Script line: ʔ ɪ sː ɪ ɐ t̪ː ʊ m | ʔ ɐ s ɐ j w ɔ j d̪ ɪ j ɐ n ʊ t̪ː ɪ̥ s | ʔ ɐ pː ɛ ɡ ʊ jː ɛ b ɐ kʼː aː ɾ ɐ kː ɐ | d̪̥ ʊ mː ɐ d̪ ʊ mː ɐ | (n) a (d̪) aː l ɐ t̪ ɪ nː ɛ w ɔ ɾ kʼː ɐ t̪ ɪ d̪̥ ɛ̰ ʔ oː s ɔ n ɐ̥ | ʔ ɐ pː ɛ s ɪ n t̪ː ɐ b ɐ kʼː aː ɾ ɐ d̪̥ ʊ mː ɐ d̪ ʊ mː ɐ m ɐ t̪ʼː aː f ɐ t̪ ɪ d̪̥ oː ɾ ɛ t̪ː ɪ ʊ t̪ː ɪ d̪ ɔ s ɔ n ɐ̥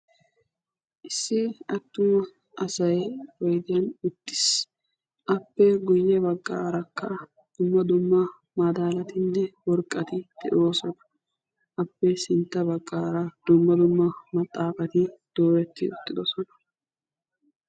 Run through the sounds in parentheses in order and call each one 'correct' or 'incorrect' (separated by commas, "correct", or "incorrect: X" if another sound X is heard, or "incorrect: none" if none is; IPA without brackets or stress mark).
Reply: incorrect: m, correct